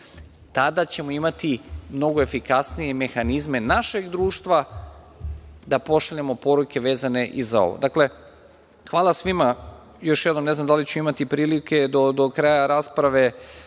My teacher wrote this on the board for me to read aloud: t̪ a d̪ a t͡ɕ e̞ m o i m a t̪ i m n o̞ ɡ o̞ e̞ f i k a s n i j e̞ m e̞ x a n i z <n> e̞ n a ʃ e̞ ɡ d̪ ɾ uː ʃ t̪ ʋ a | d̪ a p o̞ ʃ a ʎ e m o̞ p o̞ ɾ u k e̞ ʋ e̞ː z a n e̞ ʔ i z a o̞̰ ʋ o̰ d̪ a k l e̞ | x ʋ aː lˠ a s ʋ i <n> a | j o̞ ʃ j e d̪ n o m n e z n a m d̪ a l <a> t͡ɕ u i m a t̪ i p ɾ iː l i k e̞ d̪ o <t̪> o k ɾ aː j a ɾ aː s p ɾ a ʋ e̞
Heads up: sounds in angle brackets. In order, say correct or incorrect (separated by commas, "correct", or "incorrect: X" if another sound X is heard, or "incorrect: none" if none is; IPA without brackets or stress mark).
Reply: incorrect: m, incorrect: m, incorrect: i, incorrect: d̪